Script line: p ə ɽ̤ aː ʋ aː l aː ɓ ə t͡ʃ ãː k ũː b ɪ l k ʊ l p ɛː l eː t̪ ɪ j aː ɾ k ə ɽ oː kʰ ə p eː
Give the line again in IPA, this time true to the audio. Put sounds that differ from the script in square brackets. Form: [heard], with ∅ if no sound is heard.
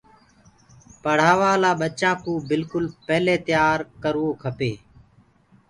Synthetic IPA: p ə ɽ̤ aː ʋ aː l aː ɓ ə t͡ʃ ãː k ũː b ɪ l k ʊ l p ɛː l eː t̪ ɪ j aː ɾ k ə [ɾ] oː kʰ ə p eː